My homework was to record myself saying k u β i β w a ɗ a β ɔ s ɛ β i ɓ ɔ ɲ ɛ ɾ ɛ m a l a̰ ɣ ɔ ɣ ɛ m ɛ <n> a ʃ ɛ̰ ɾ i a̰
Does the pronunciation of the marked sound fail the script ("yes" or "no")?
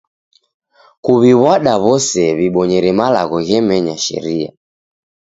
yes